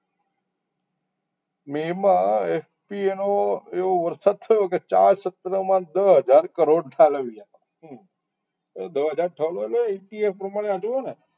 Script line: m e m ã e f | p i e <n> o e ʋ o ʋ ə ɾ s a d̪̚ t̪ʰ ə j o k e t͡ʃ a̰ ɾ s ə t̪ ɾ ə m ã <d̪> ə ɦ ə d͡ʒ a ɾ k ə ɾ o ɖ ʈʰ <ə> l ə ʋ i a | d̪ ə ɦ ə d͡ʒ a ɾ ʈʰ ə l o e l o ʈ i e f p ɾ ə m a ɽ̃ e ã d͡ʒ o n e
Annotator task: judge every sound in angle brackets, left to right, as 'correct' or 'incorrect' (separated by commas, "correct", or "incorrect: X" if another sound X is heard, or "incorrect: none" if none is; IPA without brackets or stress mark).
correct, correct, incorrect: a